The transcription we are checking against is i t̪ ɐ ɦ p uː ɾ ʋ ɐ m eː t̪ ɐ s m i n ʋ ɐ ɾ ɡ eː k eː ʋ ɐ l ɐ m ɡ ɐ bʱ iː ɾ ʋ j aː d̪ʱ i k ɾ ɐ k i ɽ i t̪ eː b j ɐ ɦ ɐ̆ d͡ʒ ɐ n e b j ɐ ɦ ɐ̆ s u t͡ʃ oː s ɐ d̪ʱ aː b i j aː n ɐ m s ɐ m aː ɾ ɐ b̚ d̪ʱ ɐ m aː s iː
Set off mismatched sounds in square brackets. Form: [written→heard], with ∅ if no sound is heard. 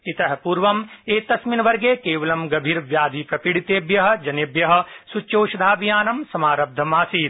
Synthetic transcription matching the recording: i t̪ ɐ ɦ p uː ɾ ʋ ɐ m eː t̪ ɐ s m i n ʋ ɐ ɾ ɡ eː k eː ʋ ɐ l ɐ m ɡ ɐ bʱ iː ɾ ʋ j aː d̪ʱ i [k→p] ɾ ɐ [k→p] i ɽ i t̪ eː b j ɐ ɦ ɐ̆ d͡ʒ ɐ n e b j ɐ ɦ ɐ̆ s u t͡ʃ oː [s→ʃ] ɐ d̪ʱ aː b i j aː n ɐ m s ɐ m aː ɾ ɐ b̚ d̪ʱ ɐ m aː s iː